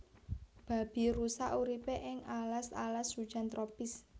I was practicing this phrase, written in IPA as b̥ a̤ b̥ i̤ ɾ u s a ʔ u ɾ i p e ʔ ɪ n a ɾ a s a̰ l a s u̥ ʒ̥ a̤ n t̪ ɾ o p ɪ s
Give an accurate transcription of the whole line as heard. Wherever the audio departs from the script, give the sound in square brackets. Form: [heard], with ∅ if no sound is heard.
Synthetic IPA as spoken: b̥ a̤ b̥ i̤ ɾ u s a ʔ u ɾ i p e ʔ ɪ [ŋ] a [l] a s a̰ l a s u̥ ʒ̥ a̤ n t̪ ɾ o p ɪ s